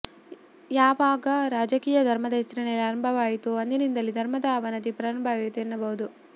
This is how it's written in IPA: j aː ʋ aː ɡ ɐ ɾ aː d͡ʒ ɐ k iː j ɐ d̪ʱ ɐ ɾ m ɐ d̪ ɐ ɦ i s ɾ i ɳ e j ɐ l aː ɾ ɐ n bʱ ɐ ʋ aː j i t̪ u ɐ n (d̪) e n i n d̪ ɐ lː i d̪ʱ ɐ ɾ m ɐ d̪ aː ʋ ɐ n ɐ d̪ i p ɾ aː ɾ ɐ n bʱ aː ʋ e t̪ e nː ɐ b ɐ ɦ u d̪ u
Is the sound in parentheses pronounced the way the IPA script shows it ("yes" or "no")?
yes